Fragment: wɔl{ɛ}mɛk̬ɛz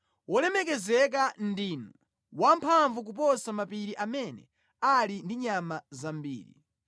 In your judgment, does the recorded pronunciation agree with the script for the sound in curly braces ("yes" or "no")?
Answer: yes